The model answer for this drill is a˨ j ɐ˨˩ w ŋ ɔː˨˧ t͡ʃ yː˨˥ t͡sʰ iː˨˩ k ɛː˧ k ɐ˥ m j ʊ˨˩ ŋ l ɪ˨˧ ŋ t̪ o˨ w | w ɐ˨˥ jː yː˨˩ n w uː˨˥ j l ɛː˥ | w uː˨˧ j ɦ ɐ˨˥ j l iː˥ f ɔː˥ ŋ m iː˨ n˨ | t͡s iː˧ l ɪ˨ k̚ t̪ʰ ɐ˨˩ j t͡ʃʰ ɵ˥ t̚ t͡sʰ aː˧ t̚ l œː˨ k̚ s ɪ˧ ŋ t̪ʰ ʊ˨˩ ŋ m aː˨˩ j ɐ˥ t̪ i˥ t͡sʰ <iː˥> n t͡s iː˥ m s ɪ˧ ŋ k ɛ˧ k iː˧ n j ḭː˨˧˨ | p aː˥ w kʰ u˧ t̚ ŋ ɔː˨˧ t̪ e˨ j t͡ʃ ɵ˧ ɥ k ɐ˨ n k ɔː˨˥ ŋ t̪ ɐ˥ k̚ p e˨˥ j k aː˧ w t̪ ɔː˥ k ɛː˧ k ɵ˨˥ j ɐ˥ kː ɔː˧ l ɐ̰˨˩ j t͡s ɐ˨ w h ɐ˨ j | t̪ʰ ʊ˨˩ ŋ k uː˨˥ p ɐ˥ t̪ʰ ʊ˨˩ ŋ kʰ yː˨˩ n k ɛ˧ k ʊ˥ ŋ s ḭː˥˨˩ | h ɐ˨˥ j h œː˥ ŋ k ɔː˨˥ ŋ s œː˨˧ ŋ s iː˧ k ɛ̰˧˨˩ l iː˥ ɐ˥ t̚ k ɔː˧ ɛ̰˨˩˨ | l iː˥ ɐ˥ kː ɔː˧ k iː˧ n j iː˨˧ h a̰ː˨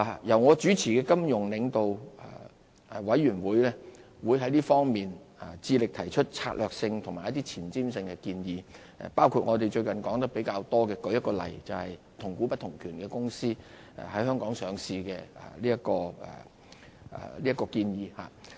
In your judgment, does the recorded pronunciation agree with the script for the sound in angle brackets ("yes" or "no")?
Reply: no